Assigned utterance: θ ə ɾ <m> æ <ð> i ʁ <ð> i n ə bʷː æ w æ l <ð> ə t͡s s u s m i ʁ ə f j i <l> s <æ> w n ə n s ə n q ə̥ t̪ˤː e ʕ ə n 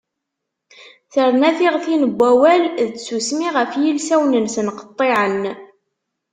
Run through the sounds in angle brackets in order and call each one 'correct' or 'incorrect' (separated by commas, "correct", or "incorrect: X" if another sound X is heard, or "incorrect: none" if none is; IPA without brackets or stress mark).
incorrect: n, incorrect: θ, incorrect: θ, correct, correct, correct